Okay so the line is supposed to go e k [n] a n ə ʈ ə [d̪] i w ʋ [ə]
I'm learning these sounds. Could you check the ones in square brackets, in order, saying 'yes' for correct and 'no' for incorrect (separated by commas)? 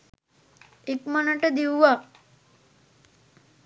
no, yes, no